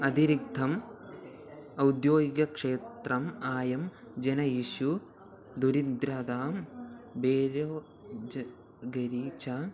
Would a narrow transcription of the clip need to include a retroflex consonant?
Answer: yes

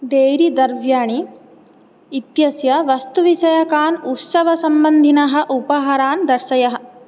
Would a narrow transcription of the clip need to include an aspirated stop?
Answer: no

